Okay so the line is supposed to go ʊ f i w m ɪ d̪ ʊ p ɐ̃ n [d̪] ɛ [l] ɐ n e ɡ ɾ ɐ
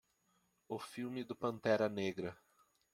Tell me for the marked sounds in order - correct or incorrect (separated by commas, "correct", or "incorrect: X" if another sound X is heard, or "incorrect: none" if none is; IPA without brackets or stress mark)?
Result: incorrect: t̪, incorrect: ɾ